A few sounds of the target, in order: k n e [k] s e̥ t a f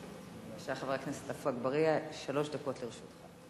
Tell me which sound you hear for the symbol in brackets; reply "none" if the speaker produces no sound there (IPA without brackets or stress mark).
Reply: none